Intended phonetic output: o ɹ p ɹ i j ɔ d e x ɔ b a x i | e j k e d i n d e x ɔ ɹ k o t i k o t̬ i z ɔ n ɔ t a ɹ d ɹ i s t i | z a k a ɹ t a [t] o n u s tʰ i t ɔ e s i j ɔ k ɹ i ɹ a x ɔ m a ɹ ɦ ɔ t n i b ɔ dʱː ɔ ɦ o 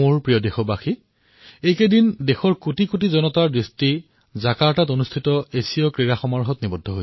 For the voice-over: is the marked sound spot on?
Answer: yes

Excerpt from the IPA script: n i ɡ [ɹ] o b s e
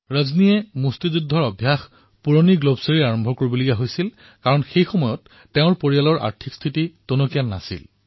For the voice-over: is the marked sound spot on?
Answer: no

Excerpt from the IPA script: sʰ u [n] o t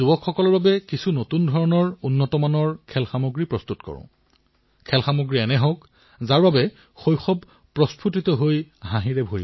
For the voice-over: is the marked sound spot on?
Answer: yes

